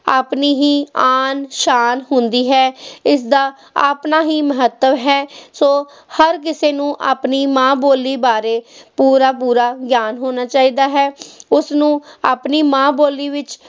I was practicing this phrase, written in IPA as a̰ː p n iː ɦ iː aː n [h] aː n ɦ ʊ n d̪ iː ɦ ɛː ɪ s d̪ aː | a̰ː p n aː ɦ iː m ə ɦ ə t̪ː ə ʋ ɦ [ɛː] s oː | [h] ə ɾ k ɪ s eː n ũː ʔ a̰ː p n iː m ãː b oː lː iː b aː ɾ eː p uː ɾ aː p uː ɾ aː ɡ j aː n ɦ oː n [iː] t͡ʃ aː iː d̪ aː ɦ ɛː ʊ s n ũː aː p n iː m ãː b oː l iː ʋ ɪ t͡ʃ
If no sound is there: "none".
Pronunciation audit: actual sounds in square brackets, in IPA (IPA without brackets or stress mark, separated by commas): ʃ, ɛː, h, aː